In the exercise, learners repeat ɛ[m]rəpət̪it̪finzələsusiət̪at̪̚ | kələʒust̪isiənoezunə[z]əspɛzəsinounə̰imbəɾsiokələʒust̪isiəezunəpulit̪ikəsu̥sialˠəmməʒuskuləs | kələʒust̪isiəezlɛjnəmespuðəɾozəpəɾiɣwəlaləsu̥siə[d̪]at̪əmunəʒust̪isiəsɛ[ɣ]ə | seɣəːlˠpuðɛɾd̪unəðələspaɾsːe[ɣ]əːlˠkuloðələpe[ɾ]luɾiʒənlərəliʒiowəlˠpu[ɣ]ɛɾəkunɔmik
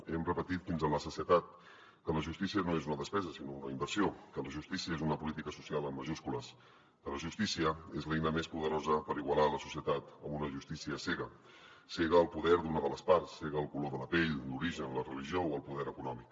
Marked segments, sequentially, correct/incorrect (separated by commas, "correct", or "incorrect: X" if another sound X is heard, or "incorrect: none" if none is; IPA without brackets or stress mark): correct, incorrect: ð, incorrect: t̪, correct, correct, incorrect: ʎ, incorrect: ð